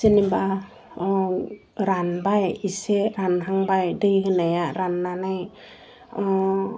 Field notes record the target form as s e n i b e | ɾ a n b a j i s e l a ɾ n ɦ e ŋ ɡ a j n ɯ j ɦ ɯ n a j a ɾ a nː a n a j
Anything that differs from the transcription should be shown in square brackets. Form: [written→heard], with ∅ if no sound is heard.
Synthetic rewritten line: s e n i b [e→a] | ɾ a n b a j i s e [l→ɾ] a [ɾ→∅] n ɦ [e→a] ŋ [ɡ→b] a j [n→d] ɯ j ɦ ɯ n a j a ɾ a nː a n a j

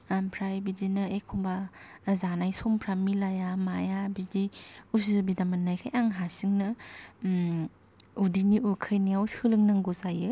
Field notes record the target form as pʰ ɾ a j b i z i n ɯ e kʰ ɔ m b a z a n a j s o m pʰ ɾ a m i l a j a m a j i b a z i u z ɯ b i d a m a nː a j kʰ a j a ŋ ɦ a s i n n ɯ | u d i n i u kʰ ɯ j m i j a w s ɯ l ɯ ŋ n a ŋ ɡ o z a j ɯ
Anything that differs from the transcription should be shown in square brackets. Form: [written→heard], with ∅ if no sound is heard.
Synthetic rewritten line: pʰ ɾ a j b i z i n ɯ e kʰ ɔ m b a z a n a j s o m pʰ ɾ a m i l a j a m a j [i→a] b [a→i] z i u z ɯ b i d a m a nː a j kʰ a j a ŋ ɦ a s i [n→ŋ] n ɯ | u d i n i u kʰ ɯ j [m→n] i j a w s ɯ l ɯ ŋ n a ŋ ɡ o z a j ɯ

